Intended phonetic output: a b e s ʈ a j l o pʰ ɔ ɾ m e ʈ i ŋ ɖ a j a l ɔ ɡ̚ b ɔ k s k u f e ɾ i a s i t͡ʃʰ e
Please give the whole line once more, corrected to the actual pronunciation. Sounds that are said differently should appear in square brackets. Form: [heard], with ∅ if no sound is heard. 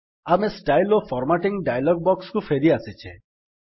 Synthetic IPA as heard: a [m] e s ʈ a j l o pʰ ɔ ɾ m [a] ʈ i ŋ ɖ a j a l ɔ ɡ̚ b ɔ k s k u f e ɾ i a s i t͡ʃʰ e

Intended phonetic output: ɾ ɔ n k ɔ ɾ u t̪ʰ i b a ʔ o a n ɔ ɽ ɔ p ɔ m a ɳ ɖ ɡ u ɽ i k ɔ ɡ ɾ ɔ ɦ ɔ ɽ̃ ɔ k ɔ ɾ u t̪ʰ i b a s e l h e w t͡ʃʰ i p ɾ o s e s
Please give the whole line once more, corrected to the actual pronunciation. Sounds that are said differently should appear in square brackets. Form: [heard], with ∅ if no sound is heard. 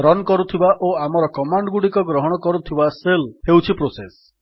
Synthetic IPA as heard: ɾ ɔ n k ɔ ɾ u t̪ʰ i b a ʔ o a [m] ɔ [ɾ] ɔ [k] ɔ m a ɳ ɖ ɡ u ɽ i k ɔ ɡ ɾ ɔ ɦ ɔ ɽ̃ ɔ k ɔ ɾ u t̪ʰ i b a s e l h e w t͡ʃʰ i p ɾ o s e s

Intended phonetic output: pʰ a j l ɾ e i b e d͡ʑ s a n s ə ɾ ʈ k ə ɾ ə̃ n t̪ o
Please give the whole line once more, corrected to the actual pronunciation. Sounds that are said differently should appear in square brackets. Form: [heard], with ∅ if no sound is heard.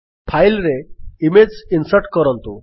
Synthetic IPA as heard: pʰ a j l ɾ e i [m] e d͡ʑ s [i] n s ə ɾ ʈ k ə ɾ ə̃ n t̪ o

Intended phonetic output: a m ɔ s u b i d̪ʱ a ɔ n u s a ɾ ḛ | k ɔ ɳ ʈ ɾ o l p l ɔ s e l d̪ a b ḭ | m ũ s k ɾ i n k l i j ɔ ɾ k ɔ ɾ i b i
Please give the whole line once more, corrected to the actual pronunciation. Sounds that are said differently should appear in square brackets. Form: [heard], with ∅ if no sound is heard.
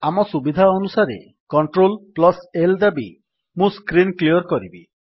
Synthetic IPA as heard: a m ɔ s u b i d̪ʱ a ɔ n u s a ɾ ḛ | k ɔ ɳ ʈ ɾ o l p l ɔ s e l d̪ a b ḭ | m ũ s k ɾ i n k l i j ɔ ɾ k ɔ ɾ i b i

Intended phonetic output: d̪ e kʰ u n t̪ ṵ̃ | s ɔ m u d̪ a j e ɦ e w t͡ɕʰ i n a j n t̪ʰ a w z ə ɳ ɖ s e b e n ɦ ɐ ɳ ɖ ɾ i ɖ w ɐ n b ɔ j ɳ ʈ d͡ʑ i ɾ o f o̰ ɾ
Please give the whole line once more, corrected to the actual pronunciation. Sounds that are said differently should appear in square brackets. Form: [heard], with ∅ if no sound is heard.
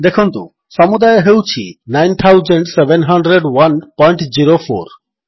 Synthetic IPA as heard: d̪ e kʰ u n t̪ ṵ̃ | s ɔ m u d̪ a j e ɦ e w t͡ɕʰ i n a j n t̪ʰ a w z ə ɳ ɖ s e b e n ɦ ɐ ɳ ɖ ɾ [e] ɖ w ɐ n [p] ɔ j ɳ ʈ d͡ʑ i ɾ o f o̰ ɾ

